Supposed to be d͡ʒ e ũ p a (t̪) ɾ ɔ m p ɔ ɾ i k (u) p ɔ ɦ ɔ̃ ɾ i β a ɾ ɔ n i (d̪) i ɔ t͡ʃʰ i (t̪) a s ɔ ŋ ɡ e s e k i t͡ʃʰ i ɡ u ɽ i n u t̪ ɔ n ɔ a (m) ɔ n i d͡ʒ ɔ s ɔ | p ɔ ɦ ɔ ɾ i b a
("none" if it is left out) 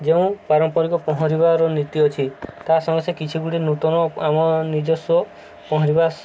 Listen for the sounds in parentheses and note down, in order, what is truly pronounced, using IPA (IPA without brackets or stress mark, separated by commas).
none, ɔ, t̪, t̪, m